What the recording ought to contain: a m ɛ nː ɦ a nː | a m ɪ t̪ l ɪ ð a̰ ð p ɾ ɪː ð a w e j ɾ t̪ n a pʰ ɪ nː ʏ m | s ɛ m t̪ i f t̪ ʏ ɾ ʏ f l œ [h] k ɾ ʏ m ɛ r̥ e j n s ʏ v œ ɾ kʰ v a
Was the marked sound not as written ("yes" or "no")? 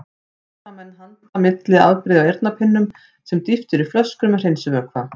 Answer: yes